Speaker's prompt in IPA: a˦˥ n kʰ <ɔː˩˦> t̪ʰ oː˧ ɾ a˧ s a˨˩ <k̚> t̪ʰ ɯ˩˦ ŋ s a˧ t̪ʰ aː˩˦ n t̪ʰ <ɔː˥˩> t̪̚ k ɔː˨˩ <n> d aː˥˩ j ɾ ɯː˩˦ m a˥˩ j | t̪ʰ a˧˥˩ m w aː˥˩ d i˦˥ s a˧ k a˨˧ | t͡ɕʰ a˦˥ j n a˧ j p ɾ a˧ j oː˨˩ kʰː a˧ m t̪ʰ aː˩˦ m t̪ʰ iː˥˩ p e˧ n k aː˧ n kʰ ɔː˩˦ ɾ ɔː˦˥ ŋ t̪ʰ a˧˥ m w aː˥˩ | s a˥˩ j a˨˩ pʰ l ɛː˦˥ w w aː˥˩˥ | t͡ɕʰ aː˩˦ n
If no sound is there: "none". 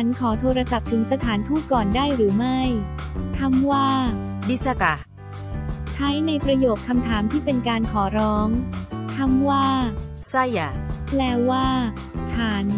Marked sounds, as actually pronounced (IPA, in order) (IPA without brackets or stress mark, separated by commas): ɔː˩˦, p̚, uː˥˩, n